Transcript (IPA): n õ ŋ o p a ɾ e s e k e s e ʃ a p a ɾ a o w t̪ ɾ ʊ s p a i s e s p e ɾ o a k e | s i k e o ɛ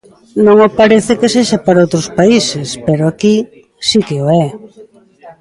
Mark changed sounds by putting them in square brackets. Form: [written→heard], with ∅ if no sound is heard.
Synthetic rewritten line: n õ ŋ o p a ɾ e [s→θ] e k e s e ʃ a p a ɾ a o w t̪ ɾ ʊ s p a i s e s p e ɾ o a k [e→i] | s i k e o ɛ